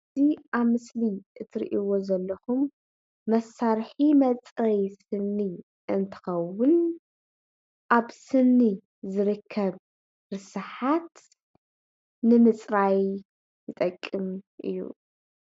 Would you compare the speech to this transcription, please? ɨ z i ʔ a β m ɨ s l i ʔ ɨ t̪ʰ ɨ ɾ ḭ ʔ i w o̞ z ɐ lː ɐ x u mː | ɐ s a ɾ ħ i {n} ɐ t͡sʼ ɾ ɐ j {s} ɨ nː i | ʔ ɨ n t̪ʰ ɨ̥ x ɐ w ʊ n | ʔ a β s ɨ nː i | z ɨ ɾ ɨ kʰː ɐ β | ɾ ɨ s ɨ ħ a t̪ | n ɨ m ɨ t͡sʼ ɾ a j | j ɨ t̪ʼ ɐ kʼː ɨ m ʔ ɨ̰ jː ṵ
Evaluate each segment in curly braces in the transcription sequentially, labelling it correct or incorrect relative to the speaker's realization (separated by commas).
incorrect, correct